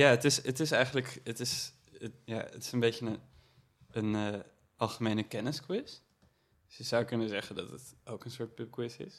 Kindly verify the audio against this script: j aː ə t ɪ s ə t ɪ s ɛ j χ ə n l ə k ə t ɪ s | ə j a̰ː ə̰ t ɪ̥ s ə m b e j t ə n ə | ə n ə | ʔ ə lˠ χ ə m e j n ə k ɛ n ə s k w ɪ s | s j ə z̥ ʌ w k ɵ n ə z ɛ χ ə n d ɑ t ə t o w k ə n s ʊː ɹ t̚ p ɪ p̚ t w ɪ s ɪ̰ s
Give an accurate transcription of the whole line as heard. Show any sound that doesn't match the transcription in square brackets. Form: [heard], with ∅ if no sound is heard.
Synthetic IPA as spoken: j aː ə t ɪ s ə t ɪ s ɛ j χ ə n l ə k ə t ɪ s | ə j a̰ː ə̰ t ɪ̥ s ə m b e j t ə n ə | ə n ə | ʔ [ɑ] lˠ χ ə m e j n ə k ɛ n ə s k w ɪ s | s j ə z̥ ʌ w k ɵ n ə z ɛ χ ə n d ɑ t ə t o w k ə n s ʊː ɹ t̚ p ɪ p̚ [k] w ɪ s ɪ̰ s